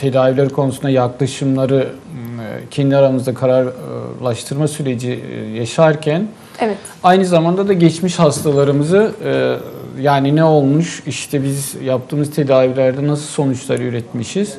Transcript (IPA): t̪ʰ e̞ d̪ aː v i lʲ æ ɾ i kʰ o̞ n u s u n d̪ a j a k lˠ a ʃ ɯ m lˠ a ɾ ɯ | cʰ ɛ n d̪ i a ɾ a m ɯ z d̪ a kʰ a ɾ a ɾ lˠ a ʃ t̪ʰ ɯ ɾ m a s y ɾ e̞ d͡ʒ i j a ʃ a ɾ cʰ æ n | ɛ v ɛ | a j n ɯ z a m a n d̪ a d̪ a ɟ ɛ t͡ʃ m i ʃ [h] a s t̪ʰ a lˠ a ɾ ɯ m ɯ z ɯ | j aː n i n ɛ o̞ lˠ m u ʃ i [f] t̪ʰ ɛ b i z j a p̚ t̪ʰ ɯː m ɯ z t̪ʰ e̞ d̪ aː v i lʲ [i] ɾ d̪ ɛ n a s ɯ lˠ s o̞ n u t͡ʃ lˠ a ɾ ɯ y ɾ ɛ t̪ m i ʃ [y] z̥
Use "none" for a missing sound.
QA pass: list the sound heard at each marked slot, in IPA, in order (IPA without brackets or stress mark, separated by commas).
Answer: h, ʃ, æ, i